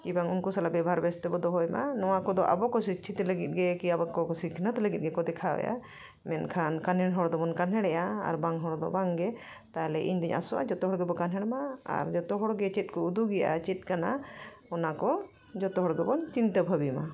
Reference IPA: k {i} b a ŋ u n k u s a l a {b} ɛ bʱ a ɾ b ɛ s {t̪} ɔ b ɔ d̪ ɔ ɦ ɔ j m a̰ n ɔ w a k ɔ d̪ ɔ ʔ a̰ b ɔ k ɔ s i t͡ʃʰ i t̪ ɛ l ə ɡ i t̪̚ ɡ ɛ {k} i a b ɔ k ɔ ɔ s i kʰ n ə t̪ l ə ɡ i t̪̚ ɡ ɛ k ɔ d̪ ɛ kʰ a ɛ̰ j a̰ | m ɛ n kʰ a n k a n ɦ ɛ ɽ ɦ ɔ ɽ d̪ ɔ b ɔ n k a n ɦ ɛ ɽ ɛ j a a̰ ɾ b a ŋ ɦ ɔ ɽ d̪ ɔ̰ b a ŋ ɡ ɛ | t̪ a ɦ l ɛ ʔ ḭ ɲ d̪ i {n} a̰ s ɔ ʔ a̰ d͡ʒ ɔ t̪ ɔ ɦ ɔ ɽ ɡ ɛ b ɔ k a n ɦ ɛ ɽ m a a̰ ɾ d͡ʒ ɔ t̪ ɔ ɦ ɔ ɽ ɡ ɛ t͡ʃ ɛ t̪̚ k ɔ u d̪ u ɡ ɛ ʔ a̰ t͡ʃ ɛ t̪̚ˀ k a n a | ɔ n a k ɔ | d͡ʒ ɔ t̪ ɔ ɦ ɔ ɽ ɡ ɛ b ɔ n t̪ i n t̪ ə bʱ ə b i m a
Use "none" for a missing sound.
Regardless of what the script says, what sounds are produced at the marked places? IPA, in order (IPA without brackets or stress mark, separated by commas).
i, b, t̪, k, ɲ